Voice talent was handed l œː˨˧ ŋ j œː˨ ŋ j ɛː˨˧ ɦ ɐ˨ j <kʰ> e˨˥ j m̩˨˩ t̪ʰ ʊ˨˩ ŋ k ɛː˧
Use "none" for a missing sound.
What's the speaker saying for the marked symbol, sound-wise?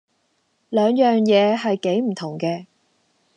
k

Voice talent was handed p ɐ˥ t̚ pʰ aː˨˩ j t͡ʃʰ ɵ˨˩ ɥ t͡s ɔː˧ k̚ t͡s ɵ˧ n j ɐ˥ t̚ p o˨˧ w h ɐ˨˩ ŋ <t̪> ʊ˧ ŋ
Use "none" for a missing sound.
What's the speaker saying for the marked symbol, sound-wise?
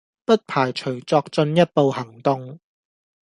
t̪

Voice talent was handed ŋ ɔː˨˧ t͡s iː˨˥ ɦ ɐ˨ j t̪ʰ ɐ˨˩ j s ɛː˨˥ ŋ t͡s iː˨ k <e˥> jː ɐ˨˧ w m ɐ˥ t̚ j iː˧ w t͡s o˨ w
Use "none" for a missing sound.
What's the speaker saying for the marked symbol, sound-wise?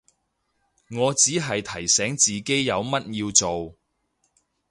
e˥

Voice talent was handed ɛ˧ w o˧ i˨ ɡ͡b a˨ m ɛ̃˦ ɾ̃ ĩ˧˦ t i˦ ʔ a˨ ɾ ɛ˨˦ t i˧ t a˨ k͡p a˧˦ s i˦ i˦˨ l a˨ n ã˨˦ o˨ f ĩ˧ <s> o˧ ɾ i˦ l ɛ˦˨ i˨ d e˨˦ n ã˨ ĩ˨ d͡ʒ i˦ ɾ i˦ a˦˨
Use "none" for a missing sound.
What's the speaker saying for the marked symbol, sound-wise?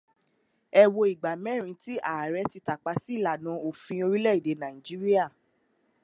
none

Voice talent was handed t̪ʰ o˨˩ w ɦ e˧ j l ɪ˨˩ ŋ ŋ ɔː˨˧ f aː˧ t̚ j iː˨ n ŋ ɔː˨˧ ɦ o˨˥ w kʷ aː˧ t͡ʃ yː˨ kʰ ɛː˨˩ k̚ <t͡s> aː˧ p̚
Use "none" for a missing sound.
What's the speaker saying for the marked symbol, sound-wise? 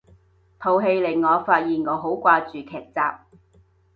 t͡s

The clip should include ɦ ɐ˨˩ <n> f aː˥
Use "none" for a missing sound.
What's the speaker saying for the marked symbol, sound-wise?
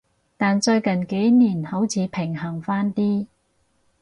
ŋ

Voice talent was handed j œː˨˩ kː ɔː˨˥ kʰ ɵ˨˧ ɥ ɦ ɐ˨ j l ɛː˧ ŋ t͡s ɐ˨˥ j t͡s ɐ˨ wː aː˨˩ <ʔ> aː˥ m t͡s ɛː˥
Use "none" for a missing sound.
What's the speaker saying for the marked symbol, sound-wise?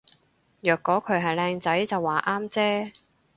ʔ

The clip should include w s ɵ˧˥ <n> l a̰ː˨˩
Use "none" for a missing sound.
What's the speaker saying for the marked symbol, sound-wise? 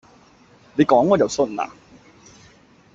n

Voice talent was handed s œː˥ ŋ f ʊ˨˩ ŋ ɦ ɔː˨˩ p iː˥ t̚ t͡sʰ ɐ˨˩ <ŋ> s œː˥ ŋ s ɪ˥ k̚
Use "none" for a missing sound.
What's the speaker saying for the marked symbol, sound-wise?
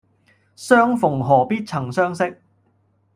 ŋ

